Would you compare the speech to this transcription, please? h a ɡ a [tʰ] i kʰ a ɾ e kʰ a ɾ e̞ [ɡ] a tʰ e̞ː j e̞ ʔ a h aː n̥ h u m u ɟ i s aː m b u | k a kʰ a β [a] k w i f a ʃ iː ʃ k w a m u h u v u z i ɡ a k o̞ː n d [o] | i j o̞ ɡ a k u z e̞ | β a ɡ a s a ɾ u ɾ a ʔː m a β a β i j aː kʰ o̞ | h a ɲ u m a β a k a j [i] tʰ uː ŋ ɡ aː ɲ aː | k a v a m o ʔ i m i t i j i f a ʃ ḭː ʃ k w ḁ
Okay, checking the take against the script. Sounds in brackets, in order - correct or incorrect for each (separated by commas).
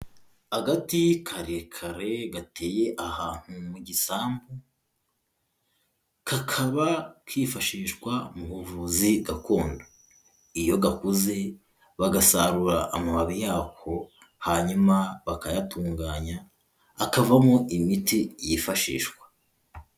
incorrect, correct, correct, correct, incorrect